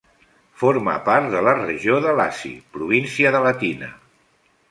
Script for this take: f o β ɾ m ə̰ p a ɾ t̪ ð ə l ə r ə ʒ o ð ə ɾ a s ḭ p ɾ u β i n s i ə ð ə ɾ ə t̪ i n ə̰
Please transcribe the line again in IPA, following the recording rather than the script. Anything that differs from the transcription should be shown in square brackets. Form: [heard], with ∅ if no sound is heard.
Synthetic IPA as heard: f o [∅] ɾ m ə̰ p a ɾ t̪ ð ə l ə r ə ʒ o ð ə [l] a s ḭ p ɾ u β i n s i ə ð ə [l] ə t̪ i n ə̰